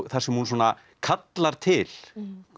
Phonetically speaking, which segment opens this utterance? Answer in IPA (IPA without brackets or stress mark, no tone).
θ